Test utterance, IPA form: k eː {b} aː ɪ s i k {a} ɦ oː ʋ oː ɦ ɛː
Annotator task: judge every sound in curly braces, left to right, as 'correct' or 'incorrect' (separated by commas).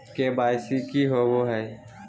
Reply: correct, incorrect